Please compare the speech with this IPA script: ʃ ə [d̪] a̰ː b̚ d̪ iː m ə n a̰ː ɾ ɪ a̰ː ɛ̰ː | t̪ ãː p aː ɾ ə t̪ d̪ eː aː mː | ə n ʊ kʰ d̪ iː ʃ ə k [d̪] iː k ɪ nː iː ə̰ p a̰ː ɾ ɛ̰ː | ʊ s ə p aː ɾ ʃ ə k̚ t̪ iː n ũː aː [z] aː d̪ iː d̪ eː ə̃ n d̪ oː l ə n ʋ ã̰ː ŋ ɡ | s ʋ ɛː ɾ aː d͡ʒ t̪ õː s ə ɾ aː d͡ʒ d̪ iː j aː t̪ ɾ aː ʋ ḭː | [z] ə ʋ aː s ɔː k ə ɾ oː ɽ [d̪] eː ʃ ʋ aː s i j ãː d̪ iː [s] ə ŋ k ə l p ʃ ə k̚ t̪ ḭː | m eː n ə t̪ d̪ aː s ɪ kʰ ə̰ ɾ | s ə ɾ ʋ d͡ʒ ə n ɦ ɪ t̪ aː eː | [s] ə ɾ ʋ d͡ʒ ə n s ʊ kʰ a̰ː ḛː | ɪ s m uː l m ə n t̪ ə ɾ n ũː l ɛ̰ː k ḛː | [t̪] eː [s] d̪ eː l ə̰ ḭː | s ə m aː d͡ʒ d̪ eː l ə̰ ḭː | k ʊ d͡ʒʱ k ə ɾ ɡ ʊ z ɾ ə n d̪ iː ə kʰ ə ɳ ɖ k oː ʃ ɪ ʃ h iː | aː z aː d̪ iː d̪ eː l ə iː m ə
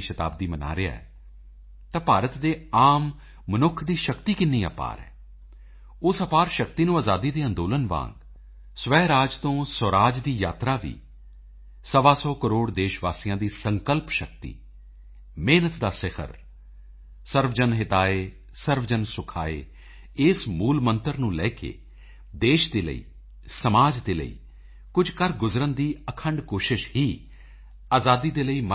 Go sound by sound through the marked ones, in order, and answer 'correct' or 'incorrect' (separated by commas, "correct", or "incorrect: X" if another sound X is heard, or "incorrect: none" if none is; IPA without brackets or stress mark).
incorrect: t̪, incorrect: t̪, correct, incorrect: s, correct, correct, correct, incorrect: d̪, incorrect: ʃ